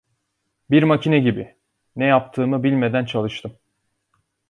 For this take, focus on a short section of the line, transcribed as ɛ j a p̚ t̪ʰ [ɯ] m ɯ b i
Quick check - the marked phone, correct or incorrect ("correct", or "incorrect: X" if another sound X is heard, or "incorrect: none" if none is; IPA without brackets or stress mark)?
incorrect: ɯː